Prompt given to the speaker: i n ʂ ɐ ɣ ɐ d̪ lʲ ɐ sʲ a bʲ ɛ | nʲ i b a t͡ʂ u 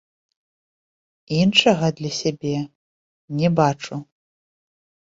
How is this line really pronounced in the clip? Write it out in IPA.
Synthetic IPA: i n ʂ ɐ ɣ ɐ d̪ lʲ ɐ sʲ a bʲ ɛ | nʲ ɛ b a t͡ʂ u